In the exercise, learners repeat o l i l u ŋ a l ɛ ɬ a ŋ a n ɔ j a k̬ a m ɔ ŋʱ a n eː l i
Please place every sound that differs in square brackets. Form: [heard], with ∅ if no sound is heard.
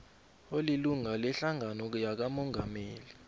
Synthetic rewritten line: o l i l u ŋ a l ɛ ɬ a ŋ a n ɔ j a k̬ a m ɔ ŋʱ a [m] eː l i